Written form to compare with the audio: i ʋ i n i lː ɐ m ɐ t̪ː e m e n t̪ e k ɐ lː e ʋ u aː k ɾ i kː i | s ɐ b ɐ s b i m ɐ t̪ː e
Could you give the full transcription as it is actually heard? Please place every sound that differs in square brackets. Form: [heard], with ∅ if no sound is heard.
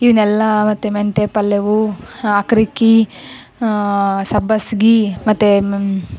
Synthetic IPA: i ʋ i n [ɛ] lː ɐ m ɐ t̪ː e m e n t̪ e [p] ɐ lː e ʋ u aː k ɾ i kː i | s ɐ b ɐ s [ɡ] i m ɐ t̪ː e